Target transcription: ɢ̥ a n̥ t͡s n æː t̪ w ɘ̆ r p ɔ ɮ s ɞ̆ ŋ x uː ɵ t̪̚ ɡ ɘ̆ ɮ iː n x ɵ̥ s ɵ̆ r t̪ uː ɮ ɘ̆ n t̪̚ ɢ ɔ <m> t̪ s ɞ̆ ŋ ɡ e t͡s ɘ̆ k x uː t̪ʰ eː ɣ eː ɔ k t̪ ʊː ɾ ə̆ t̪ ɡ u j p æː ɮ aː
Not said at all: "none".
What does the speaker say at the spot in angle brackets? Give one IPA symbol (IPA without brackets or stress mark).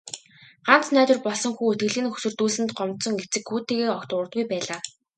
m